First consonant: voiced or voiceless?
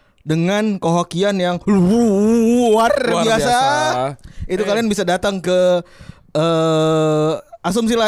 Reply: voiced